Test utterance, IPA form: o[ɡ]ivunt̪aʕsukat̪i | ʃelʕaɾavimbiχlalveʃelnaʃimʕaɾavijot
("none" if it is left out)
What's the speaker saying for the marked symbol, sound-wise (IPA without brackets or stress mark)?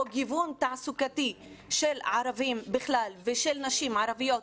ɡ